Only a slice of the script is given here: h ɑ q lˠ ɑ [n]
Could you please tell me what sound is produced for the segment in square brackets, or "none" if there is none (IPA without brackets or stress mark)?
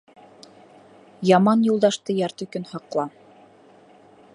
none